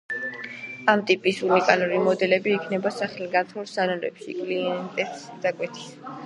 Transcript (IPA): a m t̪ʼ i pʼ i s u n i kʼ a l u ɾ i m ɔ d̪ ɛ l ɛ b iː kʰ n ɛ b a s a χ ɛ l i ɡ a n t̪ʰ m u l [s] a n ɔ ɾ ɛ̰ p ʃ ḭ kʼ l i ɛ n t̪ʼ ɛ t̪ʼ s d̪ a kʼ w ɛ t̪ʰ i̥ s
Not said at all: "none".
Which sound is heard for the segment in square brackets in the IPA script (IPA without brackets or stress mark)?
s